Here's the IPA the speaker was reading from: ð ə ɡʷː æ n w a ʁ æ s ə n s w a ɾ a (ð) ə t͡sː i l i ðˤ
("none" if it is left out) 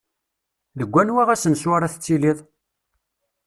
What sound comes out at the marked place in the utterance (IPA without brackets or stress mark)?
θ